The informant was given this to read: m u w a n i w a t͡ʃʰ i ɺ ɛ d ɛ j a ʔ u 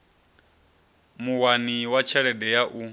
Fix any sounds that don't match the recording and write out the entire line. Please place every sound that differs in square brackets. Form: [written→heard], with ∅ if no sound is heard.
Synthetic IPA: m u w a n i w a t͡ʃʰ [i→ɛ] ɺ ɛ d ɛ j a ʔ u